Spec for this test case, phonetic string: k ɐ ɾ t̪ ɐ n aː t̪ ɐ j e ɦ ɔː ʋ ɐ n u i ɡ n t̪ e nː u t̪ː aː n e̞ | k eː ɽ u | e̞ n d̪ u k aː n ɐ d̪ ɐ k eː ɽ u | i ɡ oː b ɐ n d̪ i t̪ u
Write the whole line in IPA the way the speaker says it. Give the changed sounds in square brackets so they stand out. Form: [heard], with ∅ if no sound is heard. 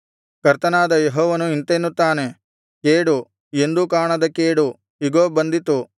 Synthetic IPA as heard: k ɐ ɾ t̪ ɐ n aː [d̪] ɐ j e ɦ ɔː ʋ ɐ n u i [∅] n t̪ e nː u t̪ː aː n e̞ | k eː ɽ u | e̞ n d̪ u k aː [ɳ] ɐ d̪ ɐ k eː ɽ u | i ɡ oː b ɐ n d̪ i t̪ u